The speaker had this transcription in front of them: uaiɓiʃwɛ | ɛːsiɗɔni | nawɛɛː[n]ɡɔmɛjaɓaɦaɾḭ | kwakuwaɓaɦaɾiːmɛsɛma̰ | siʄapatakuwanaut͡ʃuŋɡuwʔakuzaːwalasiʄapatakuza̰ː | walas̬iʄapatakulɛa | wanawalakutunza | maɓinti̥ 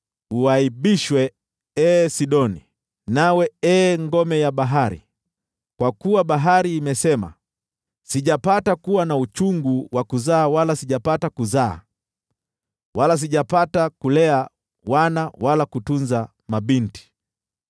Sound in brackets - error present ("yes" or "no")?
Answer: yes